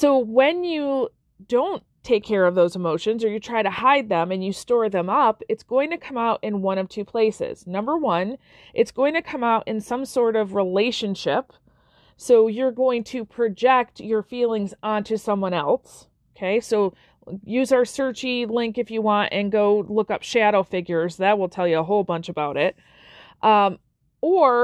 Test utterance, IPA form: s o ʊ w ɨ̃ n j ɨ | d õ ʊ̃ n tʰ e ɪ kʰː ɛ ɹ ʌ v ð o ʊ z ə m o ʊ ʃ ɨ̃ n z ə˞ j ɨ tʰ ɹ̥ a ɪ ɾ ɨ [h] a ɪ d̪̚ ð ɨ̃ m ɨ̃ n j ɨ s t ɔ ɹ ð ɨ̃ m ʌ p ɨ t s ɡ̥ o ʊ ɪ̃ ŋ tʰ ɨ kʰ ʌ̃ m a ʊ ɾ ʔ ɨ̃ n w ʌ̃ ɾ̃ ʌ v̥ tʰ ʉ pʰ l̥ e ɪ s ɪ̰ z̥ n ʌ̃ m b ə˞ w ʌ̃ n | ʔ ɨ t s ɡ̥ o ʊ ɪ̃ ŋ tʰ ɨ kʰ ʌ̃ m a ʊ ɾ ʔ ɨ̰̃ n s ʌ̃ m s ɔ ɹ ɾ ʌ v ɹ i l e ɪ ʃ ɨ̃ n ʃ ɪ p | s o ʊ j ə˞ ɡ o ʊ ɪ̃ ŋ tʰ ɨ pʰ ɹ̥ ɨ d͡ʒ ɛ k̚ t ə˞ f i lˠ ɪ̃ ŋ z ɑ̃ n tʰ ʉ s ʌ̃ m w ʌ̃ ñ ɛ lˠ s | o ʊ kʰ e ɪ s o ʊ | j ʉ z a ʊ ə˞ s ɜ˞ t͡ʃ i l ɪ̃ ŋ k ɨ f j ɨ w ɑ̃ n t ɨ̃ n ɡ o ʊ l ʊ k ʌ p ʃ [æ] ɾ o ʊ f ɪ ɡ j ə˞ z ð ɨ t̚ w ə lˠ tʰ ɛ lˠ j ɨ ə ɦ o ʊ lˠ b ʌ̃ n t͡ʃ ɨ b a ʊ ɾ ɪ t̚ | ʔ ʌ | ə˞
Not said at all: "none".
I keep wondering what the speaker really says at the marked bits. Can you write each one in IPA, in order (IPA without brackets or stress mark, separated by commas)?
h, æ